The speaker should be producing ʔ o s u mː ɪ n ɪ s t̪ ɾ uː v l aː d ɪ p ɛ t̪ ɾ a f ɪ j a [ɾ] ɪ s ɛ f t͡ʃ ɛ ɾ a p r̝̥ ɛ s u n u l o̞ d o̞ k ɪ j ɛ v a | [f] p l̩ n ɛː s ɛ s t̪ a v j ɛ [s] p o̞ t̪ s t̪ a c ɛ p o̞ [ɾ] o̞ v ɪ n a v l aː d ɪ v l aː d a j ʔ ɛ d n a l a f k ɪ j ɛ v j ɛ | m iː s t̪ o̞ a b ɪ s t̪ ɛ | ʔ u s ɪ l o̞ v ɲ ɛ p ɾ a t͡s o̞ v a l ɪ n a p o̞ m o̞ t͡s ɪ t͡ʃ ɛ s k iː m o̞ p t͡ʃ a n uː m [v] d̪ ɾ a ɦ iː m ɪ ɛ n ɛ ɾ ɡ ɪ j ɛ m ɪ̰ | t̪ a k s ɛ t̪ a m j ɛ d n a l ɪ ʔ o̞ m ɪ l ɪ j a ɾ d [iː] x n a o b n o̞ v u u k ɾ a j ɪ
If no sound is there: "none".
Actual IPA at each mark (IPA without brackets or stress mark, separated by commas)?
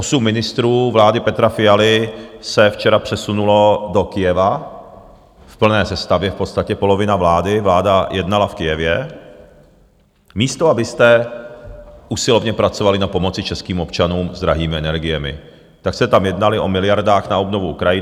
l, f, f, l, z, aː